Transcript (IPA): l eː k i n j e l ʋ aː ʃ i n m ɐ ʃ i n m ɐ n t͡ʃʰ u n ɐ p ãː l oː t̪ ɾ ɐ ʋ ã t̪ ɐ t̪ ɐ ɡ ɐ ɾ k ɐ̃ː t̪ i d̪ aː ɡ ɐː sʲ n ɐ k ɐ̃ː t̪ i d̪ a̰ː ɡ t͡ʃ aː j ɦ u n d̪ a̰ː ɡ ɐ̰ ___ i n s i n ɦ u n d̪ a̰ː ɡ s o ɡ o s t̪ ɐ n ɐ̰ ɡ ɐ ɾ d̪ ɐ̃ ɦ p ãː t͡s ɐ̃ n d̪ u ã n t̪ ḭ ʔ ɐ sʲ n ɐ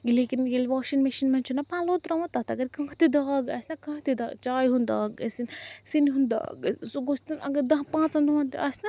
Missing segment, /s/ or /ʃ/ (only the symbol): s